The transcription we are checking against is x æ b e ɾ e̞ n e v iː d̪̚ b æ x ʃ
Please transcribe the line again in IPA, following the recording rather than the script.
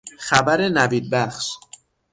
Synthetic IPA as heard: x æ b æ ɾ e̞ n æ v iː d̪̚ b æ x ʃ